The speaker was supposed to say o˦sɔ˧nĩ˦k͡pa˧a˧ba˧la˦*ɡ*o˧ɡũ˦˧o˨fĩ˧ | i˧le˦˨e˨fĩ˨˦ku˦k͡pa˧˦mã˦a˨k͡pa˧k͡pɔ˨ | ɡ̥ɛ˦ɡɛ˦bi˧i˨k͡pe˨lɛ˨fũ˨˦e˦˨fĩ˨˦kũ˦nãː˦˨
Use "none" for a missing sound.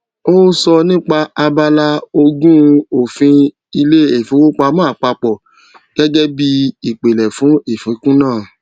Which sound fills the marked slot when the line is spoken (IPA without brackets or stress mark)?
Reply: none